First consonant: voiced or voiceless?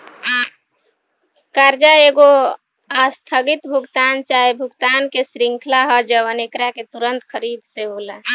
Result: voiceless